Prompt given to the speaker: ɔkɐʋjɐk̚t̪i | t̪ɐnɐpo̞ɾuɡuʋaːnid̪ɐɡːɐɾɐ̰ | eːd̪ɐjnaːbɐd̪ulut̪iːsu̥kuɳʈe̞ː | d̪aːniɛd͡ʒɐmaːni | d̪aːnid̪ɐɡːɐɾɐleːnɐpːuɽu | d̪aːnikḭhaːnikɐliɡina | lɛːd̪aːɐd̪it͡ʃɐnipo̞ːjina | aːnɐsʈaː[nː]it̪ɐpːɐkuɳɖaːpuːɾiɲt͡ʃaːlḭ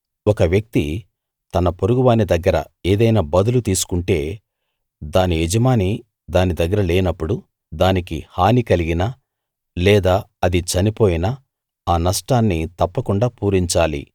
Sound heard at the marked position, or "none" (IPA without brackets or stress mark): nː